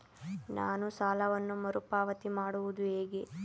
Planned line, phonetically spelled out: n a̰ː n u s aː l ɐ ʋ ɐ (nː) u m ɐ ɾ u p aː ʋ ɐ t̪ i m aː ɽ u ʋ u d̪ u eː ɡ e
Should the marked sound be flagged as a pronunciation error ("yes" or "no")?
no